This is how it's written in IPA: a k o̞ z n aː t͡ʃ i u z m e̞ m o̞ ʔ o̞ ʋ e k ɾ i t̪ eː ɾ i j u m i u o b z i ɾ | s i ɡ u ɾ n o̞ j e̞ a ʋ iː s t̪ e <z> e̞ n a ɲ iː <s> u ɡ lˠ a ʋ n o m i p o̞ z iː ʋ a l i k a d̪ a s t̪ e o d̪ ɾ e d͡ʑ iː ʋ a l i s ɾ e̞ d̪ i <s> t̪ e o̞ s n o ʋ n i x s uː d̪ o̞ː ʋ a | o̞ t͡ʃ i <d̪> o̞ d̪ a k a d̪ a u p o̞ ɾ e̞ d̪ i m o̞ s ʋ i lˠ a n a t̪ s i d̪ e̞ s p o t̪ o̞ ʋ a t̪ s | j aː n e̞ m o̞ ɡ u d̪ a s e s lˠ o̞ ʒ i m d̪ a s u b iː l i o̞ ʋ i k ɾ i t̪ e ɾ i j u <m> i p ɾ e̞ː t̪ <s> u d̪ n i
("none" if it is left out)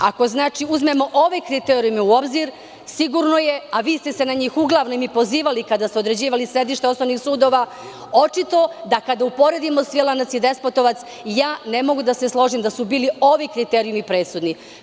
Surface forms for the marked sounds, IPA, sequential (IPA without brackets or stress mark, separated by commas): s, x, ʃ, t̪, m, s